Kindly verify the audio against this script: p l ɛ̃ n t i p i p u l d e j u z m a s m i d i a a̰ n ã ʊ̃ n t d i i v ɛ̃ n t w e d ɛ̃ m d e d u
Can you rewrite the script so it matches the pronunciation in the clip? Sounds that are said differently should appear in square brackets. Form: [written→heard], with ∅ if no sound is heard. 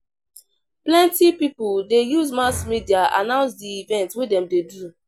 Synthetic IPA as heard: p l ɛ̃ n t i p i p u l d e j u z m a s m i d i a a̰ n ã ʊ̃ n [t→s] d i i v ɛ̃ n t w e d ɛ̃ m d e d u